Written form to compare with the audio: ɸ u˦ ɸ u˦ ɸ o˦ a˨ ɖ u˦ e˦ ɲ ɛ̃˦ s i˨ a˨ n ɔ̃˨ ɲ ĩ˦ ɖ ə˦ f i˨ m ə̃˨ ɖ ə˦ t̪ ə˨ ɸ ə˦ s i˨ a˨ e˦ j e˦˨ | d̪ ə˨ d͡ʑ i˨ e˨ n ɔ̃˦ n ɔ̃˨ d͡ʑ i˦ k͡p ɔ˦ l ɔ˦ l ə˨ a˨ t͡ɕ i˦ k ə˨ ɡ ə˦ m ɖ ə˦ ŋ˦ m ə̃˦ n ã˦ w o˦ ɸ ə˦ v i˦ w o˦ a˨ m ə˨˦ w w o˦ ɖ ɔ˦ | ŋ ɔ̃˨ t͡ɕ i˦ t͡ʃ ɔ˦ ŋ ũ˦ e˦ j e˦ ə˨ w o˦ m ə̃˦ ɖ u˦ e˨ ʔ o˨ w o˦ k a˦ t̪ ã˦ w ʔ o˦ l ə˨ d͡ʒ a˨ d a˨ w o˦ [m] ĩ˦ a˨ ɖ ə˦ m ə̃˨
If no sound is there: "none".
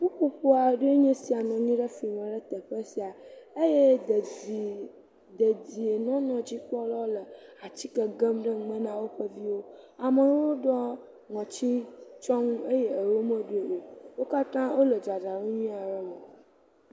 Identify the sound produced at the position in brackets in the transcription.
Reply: ɲ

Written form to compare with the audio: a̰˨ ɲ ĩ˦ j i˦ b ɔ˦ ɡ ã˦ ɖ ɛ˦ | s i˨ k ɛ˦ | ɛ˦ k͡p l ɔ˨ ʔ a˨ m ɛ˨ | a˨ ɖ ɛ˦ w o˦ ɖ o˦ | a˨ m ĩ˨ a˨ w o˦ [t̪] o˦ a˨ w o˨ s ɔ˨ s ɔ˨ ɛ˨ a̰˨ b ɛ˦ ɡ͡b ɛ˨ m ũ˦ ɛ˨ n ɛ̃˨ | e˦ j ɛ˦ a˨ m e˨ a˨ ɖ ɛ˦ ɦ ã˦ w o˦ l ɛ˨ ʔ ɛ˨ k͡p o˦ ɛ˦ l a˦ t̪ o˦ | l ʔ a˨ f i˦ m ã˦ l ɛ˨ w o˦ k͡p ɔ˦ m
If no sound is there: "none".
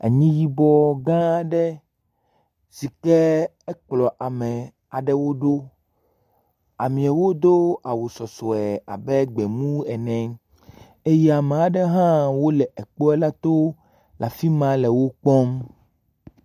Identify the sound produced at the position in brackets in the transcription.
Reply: d̪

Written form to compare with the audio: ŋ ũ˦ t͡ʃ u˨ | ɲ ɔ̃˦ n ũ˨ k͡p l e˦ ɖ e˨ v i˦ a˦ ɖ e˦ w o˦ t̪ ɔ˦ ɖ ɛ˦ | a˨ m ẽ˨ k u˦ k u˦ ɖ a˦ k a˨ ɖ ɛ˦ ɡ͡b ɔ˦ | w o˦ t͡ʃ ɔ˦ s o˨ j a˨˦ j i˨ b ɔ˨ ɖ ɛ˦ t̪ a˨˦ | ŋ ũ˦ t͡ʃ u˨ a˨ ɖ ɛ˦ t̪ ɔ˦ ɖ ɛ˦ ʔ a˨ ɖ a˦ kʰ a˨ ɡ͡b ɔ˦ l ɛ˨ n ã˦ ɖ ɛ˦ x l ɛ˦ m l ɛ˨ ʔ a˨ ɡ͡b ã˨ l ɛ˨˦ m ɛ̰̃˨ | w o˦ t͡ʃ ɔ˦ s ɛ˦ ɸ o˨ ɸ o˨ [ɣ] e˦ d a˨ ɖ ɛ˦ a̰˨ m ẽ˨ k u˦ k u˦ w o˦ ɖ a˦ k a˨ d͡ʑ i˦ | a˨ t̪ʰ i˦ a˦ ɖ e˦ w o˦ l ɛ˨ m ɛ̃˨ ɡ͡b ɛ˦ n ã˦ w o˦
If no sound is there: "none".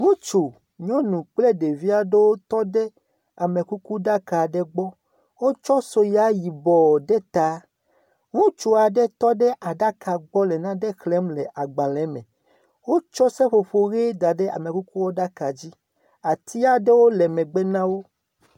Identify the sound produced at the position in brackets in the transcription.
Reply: ɣ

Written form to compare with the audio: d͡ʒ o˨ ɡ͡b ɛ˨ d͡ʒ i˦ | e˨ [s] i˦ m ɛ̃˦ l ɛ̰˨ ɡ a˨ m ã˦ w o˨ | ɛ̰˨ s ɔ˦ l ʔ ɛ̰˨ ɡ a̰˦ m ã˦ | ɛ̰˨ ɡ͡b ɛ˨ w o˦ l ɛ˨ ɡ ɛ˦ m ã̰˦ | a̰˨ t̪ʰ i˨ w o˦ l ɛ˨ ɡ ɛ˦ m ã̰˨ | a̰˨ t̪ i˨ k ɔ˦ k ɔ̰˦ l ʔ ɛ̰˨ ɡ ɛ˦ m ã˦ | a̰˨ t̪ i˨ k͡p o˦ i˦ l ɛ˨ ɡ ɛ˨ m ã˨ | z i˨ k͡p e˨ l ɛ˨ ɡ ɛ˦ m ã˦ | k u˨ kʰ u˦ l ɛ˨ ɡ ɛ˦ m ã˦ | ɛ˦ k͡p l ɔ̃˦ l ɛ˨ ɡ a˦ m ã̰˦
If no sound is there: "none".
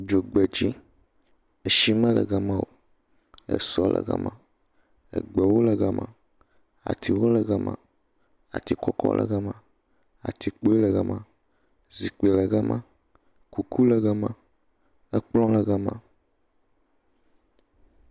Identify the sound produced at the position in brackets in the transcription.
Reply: ʃ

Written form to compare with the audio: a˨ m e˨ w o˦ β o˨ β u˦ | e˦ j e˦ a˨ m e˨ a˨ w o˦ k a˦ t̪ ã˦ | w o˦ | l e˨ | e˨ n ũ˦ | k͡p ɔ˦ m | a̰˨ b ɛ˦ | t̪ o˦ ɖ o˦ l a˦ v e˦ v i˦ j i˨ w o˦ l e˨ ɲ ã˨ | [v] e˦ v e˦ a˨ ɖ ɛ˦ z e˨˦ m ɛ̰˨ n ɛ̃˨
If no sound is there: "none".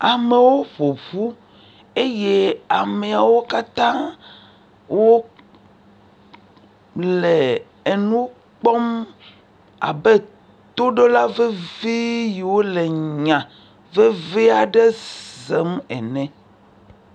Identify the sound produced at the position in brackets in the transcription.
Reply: v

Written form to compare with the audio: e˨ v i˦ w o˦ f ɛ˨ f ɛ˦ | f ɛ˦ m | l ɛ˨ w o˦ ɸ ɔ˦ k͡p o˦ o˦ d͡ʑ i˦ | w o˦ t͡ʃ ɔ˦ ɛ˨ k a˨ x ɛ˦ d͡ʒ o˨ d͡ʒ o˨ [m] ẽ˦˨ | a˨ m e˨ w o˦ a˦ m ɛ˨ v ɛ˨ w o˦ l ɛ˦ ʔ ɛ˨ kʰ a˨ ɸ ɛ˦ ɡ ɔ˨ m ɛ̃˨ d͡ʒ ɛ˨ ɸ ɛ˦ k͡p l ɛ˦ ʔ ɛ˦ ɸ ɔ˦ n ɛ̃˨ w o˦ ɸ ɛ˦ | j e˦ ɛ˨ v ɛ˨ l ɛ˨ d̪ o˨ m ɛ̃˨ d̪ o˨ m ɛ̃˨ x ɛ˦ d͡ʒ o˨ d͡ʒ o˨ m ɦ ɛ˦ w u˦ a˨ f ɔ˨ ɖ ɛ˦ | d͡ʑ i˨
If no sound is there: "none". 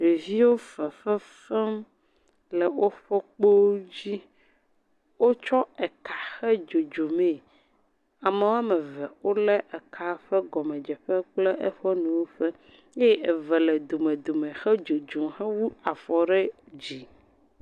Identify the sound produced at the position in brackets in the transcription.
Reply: m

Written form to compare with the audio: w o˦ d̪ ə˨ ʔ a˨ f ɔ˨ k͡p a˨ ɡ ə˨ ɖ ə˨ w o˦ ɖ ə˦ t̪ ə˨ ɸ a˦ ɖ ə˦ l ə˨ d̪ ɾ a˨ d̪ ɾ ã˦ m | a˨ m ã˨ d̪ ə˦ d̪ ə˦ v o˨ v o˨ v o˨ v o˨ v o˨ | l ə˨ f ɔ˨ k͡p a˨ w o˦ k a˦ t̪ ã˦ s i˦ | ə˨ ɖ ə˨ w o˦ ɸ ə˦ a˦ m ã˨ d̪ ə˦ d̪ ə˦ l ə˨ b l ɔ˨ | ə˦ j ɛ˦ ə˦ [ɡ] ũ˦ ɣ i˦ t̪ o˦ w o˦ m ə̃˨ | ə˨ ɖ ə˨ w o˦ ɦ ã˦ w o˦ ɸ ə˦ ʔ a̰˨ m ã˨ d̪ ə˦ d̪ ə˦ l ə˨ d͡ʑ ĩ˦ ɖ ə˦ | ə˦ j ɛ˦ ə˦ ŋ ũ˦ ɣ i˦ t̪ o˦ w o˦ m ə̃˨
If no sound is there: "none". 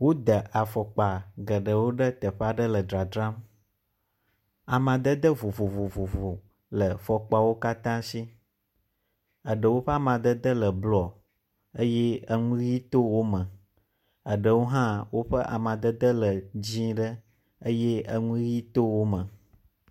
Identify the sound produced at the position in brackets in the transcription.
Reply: ŋ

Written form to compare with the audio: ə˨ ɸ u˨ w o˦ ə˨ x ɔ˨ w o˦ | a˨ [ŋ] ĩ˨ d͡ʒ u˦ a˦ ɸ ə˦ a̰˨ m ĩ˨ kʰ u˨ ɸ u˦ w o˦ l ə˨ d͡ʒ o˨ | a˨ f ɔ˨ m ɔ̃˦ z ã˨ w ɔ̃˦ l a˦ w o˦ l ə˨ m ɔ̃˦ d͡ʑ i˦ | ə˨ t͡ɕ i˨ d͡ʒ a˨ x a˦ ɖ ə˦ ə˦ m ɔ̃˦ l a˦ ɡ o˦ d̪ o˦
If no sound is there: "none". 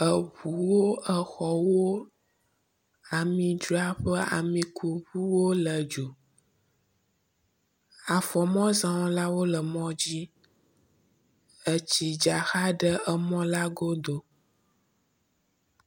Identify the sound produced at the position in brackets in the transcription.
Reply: m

